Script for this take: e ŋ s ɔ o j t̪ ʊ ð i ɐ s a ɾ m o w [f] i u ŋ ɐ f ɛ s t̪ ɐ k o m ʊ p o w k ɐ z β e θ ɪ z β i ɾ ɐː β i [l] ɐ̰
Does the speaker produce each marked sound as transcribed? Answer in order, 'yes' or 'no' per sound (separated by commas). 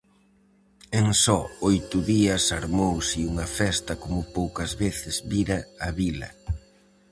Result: no, yes